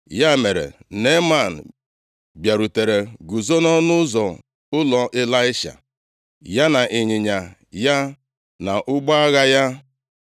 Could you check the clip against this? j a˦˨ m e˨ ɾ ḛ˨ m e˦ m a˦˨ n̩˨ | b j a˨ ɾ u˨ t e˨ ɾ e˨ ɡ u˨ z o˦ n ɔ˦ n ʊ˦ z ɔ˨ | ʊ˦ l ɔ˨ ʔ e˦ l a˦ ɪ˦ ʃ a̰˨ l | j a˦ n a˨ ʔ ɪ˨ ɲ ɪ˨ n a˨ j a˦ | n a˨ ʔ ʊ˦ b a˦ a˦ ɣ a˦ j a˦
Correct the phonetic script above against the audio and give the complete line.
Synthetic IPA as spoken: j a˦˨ m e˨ ɾ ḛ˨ n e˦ m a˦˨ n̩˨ | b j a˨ ɾ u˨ t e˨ ɾ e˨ ɡ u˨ z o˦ n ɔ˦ n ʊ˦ z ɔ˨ | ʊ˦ l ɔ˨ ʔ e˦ l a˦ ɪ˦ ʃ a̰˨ | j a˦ n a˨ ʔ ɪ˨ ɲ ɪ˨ ɲ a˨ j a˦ | n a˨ ʔ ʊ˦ ɡ͡b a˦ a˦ ɣ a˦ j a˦